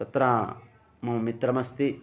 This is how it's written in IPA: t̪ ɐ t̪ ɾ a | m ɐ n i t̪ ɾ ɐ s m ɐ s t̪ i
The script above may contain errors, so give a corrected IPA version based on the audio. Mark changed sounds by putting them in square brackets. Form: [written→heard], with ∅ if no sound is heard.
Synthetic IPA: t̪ ɐ t̪ ɾ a | m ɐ [n→m] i t̪ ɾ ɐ [s→∅] m ɐ s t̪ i

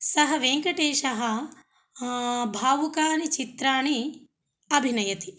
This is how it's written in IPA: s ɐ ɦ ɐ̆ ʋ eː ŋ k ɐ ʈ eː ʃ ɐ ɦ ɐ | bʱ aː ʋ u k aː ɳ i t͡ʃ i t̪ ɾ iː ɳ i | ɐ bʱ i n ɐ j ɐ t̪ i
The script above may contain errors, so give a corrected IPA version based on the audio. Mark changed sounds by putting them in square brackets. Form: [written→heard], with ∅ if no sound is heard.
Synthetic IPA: s ɐ ɦ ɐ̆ ʋ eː ŋ k ɐ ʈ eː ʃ ɐ ɦ ɐ | bʱ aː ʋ u k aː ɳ i t͡ʃ i t̪ ɾ [iː→aː] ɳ i | ɐ bʱ i n ɐ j ɐ t̪ i

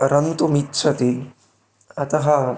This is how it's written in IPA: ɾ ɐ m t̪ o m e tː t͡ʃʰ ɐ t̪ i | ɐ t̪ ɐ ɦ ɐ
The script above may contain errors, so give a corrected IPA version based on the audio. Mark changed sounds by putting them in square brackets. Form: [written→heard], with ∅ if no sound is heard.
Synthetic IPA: ɾ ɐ [m→n] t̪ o m [e→i] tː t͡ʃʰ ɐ t̪ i | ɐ t̪ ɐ ɦ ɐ

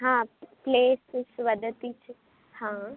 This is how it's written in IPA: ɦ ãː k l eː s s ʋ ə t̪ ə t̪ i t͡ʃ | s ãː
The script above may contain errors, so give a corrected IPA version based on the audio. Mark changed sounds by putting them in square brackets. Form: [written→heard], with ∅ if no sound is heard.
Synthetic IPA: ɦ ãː [k→p] l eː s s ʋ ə [t̪→d̪] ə t̪ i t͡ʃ | [s→h] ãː

